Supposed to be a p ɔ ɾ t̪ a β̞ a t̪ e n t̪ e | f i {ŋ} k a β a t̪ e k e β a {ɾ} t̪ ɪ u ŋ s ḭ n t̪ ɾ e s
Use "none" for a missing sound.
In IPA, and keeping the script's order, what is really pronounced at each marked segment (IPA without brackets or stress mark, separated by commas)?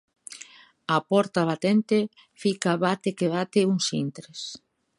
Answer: none, none